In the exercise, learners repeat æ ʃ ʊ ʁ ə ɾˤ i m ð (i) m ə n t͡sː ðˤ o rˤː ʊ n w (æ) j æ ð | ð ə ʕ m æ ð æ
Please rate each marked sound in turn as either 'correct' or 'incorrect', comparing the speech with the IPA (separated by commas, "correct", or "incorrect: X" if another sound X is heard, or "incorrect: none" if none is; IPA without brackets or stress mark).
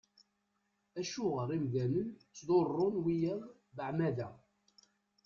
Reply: incorrect: æ, incorrect: i